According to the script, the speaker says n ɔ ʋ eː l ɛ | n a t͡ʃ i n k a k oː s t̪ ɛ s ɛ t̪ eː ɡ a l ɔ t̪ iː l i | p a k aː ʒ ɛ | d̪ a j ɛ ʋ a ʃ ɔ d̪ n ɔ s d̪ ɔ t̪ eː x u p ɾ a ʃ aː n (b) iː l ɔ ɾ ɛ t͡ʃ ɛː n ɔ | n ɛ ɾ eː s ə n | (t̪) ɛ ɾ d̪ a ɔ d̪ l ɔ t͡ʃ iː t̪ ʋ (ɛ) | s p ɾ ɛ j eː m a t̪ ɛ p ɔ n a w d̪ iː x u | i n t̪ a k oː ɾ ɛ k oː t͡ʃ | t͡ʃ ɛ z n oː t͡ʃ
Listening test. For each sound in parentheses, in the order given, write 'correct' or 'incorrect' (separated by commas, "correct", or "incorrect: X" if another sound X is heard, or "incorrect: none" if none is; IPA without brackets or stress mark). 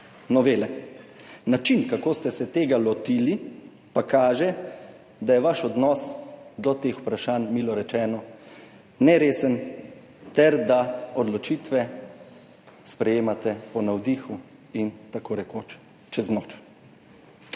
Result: incorrect: m, correct, correct